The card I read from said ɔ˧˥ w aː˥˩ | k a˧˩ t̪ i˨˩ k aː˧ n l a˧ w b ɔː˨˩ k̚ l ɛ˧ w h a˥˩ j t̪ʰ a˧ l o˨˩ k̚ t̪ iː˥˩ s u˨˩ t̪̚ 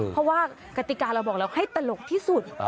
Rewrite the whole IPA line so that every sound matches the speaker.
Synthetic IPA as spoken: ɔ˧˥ w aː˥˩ | k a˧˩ t̪ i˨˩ k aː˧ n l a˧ w b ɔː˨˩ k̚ l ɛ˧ w h a˥˩ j t̪ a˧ l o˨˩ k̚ t̪ʰ iː˥˩ s u˨˩ t̪̚